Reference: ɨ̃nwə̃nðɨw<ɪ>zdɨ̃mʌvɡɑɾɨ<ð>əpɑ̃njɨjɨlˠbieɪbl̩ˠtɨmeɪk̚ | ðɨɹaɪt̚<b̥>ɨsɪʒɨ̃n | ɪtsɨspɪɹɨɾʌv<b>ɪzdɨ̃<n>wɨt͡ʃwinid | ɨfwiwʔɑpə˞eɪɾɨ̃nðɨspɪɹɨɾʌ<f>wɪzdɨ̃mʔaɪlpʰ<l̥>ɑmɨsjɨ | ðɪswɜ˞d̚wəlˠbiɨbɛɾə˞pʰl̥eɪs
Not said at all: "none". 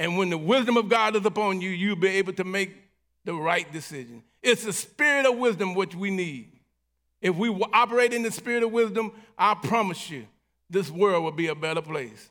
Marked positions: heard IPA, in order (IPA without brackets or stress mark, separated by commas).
ɪ, z, d̥, w, m, v, ɹ̥